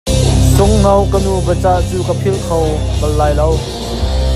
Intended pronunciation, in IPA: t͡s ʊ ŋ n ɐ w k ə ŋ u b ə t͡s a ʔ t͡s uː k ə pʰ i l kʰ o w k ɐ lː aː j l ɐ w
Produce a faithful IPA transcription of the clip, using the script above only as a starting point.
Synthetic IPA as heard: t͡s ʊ ŋ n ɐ w k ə n u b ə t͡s a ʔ t͡s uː k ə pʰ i l kʰ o w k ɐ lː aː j l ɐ w